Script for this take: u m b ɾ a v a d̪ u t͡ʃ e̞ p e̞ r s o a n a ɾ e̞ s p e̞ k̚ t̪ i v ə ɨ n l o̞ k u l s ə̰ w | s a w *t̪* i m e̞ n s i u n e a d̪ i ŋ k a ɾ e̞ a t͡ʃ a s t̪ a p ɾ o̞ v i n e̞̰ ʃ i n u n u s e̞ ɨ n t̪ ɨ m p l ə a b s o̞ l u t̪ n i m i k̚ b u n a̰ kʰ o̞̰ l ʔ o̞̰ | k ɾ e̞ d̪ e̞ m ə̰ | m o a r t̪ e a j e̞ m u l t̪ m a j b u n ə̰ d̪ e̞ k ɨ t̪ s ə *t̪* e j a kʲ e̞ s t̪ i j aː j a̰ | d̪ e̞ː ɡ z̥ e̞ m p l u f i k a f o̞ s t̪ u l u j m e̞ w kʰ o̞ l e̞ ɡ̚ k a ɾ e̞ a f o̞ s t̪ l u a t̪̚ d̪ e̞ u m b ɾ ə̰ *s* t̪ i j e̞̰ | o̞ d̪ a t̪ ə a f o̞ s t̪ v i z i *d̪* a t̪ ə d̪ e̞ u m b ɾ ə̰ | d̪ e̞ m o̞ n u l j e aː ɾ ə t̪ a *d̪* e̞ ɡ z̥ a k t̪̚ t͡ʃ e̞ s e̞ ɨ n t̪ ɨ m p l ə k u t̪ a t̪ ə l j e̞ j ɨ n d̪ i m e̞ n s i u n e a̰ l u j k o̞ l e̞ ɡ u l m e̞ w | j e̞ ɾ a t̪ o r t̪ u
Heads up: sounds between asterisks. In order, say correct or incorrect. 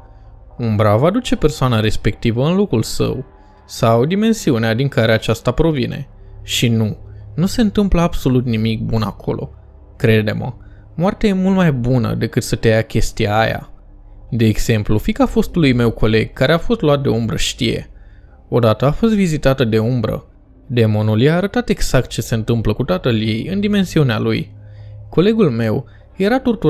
incorrect: d̪, correct, incorrect: ʃ, incorrect: t̪, incorrect: t̪

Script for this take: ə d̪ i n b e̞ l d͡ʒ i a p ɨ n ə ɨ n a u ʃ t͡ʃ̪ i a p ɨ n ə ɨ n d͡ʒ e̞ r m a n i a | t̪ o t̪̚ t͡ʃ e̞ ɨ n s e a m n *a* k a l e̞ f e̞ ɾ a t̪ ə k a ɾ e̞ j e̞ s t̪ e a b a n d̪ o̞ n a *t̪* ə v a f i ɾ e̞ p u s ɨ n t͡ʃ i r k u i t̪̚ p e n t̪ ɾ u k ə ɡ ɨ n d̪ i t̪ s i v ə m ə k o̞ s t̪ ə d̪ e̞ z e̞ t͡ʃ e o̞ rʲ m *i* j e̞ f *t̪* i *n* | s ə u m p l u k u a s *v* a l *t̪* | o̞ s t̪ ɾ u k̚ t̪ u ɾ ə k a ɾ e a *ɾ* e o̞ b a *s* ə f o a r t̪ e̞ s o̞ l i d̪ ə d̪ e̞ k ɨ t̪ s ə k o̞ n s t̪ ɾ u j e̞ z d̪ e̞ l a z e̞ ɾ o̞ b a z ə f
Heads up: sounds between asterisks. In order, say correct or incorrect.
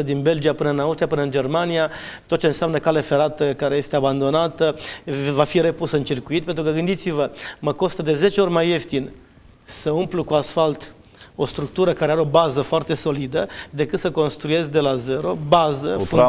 incorrect: ə, correct, incorrect: a, correct, correct, incorrect: f, correct, correct, incorrect: z

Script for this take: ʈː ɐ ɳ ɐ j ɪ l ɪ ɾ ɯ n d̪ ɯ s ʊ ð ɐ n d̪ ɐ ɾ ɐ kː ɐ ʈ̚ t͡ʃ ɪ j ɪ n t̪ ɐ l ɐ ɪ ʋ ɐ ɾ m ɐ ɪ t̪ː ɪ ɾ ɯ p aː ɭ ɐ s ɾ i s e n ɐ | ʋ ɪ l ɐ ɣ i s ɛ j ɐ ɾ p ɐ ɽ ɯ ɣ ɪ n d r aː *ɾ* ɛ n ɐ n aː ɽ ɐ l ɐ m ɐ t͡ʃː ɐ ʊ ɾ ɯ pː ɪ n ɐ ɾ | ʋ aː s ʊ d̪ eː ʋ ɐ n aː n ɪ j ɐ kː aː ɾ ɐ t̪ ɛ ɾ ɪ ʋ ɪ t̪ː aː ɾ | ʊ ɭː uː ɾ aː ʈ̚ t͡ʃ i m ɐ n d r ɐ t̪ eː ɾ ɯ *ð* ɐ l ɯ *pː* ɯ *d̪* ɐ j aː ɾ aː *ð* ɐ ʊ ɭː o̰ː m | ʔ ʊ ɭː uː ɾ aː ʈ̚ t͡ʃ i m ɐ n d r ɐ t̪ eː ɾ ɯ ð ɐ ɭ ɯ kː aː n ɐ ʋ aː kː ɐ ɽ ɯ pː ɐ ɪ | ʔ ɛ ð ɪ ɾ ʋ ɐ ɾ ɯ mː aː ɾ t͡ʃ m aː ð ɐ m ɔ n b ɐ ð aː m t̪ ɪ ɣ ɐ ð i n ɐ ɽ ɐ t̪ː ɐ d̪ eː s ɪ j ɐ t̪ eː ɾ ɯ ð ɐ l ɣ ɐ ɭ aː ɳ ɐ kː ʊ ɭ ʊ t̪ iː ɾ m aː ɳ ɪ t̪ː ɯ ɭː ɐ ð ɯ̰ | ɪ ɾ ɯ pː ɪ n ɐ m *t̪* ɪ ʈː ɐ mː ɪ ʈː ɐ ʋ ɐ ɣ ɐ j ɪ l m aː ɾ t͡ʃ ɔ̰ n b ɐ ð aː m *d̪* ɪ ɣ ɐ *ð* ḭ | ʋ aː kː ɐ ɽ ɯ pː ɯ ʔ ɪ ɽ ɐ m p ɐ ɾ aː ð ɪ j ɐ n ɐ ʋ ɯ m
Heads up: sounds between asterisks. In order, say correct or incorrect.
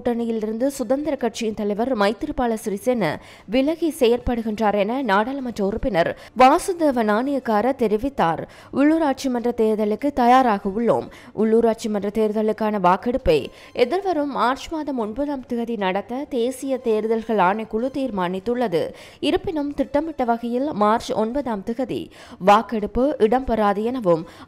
correct, correct, incorrect: kː, incorrect: t̪, incorrect: ɣ, correct, incorrect: t̪, correct

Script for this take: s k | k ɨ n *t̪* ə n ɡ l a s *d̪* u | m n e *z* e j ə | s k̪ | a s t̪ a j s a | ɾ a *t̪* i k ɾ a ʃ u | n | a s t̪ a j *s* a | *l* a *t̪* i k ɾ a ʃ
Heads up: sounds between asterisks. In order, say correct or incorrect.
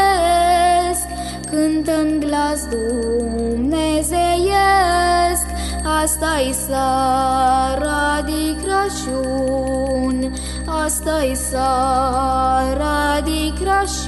correct, correct, correct, incorrect: d̪, correct, incorrect: ɾ, incorrect: d̪

